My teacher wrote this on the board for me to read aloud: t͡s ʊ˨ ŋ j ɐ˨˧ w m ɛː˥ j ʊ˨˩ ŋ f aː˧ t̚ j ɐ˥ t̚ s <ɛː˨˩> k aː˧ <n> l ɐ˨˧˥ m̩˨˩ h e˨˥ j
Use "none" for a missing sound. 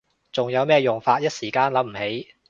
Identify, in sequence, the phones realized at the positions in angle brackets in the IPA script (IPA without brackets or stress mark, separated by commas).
iː˨˩, n